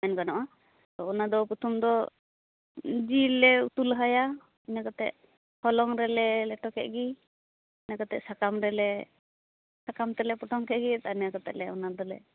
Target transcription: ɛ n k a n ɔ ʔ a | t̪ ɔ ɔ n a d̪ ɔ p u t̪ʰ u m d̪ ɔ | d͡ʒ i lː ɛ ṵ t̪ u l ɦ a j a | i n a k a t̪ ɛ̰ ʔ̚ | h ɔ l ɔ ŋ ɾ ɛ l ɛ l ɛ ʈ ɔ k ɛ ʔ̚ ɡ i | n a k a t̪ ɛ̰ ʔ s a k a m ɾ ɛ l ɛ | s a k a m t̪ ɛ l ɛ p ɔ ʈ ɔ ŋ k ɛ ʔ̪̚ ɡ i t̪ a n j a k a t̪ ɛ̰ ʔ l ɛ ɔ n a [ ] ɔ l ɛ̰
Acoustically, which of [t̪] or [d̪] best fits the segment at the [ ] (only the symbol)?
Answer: d̪